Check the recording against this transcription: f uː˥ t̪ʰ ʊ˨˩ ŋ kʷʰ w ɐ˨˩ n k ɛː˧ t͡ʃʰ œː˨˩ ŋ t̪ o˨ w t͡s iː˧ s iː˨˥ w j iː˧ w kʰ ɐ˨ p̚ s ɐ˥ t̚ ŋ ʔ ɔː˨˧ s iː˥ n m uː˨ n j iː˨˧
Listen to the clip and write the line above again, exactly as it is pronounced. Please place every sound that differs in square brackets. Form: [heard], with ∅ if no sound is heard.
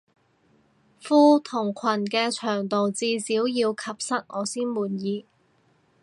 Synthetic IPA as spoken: f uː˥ t̪ʰ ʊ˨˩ ŋ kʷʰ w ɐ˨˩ n k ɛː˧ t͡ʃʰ œː˨˩ ŋ t̪ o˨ w t͡s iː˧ s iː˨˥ w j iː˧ w kʰ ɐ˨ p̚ s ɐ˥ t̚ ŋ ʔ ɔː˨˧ s iː˥ n m uː˨ n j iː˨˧